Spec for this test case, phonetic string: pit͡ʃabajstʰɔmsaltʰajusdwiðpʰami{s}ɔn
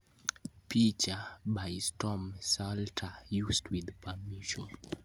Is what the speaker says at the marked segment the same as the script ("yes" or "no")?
no